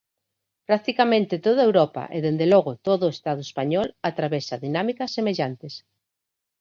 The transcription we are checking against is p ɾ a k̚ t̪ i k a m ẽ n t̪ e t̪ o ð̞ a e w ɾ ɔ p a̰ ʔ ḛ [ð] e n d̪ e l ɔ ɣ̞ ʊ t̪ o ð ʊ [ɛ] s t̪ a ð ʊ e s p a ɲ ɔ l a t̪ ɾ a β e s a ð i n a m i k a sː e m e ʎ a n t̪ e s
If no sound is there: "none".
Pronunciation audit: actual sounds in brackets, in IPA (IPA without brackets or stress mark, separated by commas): ð, e